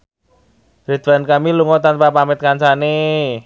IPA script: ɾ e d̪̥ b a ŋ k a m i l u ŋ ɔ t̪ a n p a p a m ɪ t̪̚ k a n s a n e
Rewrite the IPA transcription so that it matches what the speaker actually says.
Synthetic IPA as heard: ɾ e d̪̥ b a n k a m i l u ŋ ɔ t̪ a n p a p a m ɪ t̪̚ k a n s a n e

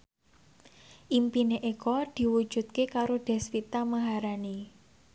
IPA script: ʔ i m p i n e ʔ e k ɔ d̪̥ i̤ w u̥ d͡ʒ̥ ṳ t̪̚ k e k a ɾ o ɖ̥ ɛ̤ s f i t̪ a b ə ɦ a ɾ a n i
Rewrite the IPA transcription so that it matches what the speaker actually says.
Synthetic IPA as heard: ʔ i m p i n e ʔ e k ɔ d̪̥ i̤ w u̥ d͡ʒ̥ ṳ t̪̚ k e k a ɾ o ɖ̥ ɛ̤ s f i t̪ a m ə ɦ a ɾ a n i

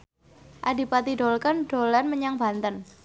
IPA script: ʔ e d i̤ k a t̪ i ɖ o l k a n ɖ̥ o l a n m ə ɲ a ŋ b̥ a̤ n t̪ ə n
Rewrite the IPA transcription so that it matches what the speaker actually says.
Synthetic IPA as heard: ʔ a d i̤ p a t̪ i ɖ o l k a n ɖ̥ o l a n m ə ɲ a ŋ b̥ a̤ n t̪ ə n

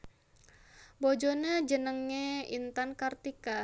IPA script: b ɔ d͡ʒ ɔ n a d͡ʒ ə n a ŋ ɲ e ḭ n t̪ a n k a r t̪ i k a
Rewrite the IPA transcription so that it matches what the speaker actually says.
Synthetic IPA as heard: b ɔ d͡ʒ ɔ n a d͡ʒ ə n ə ŋ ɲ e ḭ n t̪ a n k a r t̪ i k a

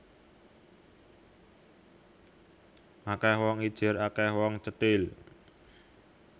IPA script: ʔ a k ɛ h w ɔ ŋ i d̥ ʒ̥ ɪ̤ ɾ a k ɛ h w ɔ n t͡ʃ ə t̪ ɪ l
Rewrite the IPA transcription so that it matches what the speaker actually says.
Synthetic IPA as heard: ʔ a k ɛ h w ɔ ŋ i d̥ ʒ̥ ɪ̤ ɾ a k ɛ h w ɔ ŋ t͡ʃ ə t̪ ɪ l

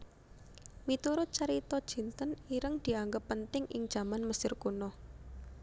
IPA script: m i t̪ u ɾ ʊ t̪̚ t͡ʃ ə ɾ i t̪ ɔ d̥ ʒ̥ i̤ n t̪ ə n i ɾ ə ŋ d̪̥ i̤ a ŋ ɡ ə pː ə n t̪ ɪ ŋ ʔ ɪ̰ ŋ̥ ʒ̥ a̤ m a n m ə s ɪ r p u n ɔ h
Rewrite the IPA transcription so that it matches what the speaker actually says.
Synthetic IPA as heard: m i t̪ u ɾ ʊ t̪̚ t͡ʃ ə ɾ i t̪ ɔ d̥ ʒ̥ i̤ n t̪ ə n i ɾ ə ŋ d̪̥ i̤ a ŋ ɡ ə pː ə n t̪ ɪ ŋ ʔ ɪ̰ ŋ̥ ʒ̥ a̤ m a n m ə s ɪ r k u n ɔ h

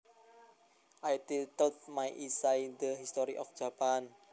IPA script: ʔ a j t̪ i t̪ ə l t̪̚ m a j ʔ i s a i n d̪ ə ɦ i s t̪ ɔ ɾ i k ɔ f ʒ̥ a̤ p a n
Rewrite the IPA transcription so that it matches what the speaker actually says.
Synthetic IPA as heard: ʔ a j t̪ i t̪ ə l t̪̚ m a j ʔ i s a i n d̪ ə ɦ i s t̪ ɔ ɾ i ʔ ɔ f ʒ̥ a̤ p a n

